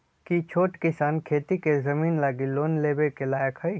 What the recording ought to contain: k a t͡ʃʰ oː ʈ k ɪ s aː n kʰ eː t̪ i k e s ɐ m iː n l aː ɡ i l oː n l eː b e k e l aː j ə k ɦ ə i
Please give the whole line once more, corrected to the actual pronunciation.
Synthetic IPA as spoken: k i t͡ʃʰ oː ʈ k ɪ s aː n kʰ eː t̪ i k e z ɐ m iː n l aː ɡ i l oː n l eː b e k e l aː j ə k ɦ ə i